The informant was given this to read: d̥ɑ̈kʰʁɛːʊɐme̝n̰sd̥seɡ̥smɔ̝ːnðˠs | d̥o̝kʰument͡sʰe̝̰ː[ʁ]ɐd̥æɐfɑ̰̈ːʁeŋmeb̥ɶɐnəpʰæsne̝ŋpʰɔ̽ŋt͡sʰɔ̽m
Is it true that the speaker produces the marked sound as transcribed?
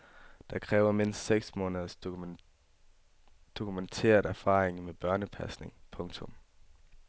no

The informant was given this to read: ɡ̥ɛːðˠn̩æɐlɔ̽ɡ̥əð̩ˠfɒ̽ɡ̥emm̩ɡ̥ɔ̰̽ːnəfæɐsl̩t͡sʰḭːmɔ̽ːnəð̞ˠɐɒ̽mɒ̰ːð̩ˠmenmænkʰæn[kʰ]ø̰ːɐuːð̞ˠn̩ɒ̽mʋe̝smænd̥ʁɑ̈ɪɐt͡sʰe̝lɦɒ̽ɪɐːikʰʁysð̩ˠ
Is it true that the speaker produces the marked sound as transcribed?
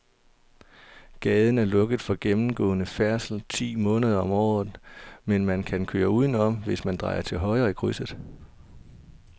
yes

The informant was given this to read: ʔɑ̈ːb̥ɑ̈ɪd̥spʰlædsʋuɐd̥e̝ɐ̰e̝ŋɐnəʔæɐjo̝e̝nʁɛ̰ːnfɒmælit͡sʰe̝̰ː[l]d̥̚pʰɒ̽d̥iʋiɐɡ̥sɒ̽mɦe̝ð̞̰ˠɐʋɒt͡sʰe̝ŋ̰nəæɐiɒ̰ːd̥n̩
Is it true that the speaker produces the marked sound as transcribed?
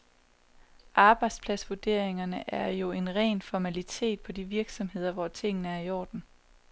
no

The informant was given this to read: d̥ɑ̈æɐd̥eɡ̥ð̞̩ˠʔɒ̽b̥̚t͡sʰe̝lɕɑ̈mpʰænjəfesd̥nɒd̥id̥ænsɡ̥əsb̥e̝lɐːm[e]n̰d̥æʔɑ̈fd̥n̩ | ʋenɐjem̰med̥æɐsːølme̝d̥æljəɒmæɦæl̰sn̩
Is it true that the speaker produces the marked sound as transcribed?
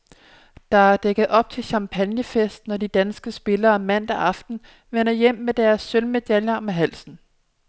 no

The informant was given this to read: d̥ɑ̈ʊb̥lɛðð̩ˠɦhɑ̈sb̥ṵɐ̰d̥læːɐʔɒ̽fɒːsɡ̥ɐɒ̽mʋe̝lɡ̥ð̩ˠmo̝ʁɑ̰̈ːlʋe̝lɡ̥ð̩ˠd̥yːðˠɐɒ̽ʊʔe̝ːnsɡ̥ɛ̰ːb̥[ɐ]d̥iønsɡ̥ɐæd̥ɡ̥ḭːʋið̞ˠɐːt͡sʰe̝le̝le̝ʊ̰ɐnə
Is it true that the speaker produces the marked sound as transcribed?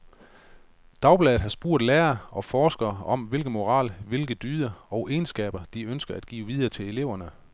yes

